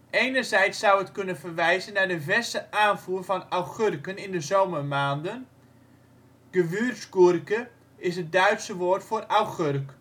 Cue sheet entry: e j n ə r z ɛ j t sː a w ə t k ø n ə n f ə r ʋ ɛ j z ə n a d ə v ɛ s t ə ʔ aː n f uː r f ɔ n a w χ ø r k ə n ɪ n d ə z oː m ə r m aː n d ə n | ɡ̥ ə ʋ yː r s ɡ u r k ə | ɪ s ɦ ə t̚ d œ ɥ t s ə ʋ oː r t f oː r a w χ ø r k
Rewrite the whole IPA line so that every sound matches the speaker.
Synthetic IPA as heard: e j n ə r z ɛ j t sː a w ə t k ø n ə n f ə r ʋ ɛ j z ə n a d ə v ɛ s t ə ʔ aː n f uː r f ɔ n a w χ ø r k ə n ɪ n d ə z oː m ə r m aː n d ə n | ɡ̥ ə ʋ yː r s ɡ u r k ə | ɪ s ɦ ə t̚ d œ ɥ t s ə ʋ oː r t f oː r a w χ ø r k